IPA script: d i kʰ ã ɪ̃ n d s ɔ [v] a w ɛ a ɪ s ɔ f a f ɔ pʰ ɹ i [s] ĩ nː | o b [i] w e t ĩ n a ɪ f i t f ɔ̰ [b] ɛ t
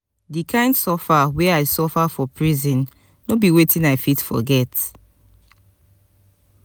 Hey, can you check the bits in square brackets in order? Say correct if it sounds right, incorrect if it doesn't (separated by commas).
incorrect, incorrect, correct, incorrect